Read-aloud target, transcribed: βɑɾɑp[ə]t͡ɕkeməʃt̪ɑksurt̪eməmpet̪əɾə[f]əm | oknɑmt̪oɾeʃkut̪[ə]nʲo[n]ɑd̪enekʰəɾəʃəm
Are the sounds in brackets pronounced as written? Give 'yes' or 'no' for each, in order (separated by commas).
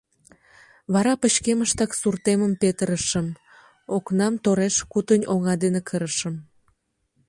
yes, no, yes, no